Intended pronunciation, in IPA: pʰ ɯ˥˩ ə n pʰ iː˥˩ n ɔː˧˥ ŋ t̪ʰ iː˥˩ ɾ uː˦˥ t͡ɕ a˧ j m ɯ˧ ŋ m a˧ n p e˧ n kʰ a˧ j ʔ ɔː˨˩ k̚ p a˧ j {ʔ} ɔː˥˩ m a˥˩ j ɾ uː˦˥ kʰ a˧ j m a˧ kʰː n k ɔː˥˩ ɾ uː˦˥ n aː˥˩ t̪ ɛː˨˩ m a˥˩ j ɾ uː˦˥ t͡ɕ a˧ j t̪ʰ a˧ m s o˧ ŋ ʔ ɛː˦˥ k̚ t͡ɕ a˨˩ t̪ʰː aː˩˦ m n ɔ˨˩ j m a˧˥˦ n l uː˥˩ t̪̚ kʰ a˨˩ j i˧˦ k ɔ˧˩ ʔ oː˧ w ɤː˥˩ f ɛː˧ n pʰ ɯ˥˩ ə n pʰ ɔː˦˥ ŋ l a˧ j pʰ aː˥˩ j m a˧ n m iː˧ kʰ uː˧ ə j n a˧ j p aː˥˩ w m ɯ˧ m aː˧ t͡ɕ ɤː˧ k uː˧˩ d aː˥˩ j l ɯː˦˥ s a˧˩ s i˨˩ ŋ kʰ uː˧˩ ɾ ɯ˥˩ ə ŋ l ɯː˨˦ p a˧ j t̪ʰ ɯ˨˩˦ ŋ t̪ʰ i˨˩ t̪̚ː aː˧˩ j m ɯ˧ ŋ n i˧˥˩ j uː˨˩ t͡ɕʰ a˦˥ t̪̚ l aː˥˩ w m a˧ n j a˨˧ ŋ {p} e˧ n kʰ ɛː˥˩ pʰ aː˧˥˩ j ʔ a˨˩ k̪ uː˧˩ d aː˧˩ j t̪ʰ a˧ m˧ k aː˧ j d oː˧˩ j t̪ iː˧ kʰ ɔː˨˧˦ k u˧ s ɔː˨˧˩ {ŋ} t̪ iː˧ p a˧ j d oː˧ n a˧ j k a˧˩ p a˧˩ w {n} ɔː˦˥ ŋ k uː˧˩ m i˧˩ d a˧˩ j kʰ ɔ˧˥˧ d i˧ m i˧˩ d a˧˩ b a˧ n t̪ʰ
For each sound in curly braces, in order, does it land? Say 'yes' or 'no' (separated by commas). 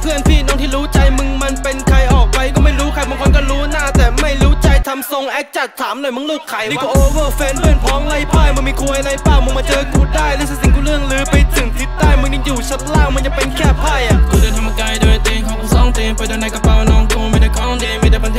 no, yes, yes, yes